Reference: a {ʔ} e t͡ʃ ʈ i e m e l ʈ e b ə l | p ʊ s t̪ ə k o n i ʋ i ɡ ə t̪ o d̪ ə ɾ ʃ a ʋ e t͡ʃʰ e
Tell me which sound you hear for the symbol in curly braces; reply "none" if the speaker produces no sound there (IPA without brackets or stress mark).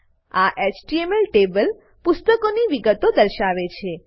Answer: ʔ